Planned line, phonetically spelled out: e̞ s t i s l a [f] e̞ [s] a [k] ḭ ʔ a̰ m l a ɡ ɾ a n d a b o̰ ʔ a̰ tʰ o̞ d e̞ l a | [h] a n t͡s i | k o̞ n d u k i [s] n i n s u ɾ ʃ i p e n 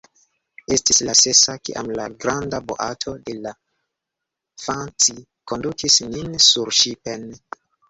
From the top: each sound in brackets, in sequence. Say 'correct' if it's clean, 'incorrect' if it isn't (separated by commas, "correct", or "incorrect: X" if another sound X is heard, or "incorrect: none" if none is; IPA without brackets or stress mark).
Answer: incorrect: s, correct, correct, incorrect: f, correct